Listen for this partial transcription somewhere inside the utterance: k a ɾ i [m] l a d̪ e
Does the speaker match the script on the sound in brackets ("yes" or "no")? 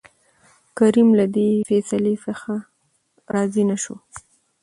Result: yes